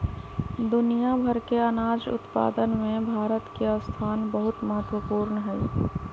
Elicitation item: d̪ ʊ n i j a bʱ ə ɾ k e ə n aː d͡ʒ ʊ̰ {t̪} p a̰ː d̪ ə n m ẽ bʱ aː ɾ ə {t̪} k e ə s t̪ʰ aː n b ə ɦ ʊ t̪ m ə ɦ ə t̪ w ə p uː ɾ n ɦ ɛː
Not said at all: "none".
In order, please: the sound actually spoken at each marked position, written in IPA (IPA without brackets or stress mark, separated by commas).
t̪, t̪